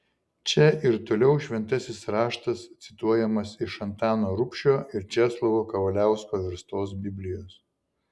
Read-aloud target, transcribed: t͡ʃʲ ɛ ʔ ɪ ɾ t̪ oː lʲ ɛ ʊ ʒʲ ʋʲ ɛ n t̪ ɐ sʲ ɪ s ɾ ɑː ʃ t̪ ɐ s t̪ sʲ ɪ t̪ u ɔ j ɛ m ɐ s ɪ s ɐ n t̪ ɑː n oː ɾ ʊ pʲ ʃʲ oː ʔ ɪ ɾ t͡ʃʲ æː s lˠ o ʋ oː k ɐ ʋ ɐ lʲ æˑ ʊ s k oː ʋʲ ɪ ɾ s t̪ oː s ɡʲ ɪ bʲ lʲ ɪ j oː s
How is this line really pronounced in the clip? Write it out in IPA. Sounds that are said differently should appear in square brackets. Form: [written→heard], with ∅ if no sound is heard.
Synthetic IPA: t͡ʃʲ ɛ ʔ ɪ ɾ t̪ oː lʲ ɛ ʊ [ʒʲ→ʃʲ] ʋʲ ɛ n t̪ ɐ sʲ ɪ s ɾ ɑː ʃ t̪ ɐ s t̪ sʲ ɪ t̪ u ɔ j ɛ m ɐ s ɪ [s→ʃ] ɐ n t̪ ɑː n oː ɾ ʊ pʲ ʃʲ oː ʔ ɪ ɾ t͡ʃʲ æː s lˠ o ʋ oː k ɐ ʋ ɐ lʲ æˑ ʊ s k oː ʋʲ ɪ ɾ s t̪ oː s [ɡʲ→bʲ] ɪ bʲ lʲ ɪ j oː s